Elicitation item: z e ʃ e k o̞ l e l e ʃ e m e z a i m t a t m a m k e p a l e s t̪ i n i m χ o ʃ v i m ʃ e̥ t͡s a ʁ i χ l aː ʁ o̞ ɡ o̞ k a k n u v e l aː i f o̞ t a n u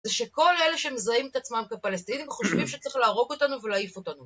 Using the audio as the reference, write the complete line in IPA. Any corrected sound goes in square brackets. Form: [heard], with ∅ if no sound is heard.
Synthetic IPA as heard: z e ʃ e k o̞ l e l e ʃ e m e z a i m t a [t͡s] m a m k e p a l e s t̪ i n i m χ o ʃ v i m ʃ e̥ t͡s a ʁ i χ l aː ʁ o̞ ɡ o̞ [t] a [∅] n u v e l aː i f o̞ t a n u